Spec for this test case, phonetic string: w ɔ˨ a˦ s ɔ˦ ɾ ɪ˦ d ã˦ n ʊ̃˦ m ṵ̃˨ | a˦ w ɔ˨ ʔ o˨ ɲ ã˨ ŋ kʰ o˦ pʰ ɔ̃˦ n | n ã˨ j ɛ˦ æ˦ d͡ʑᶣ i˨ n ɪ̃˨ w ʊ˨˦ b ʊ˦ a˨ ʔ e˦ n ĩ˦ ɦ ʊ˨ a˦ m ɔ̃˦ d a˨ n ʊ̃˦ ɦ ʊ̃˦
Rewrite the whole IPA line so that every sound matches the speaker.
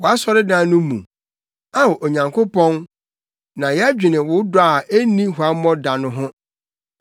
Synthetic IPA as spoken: w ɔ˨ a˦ s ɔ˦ ɾ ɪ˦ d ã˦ n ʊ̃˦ m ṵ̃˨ | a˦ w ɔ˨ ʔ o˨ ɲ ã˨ ŋ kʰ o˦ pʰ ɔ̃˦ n | n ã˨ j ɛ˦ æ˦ d͡ʑᶣ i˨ n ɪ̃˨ w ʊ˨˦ d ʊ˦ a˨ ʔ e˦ n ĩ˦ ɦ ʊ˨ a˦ m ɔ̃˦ d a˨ n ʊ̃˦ ɦ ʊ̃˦